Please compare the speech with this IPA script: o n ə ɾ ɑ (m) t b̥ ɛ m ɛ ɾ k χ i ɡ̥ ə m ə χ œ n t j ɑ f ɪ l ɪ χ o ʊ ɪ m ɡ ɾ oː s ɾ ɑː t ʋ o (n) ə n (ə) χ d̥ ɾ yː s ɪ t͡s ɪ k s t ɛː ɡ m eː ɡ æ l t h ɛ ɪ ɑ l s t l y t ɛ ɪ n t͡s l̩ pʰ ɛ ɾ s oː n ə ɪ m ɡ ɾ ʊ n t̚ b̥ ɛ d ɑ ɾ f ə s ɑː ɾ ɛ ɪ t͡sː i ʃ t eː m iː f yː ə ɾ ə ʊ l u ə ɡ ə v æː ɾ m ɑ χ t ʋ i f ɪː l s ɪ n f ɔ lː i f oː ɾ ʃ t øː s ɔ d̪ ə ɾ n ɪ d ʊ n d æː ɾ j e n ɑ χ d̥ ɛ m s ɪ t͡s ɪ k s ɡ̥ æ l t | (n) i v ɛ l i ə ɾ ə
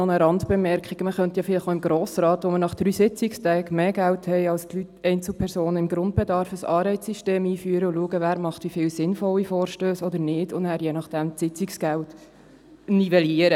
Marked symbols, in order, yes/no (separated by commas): no, no, no, yes